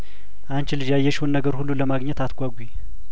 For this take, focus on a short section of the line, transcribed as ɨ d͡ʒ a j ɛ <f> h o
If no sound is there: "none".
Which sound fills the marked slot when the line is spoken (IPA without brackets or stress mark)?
ʃ